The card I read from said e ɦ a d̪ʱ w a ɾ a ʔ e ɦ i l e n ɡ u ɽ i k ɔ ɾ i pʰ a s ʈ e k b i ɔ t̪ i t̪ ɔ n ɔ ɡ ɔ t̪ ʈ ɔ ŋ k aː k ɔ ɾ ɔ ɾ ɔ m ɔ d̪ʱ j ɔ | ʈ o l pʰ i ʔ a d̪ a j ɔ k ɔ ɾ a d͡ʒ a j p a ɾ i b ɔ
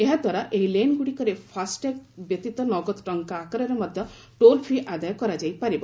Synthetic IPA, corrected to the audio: e ɦ a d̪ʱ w a ɾ a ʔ e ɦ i l e n ɡ u ɽ i k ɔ ɾ e pʰ a s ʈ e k b j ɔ t̪ i t̪ ɔ n ɔ ɡ ɔ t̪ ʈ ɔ ŋ k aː k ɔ ɾ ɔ ɾ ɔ m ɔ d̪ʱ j ɔ | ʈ o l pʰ i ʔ a d̪ a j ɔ k ɔ ɾ a d͡ʒ a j p a ɾ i b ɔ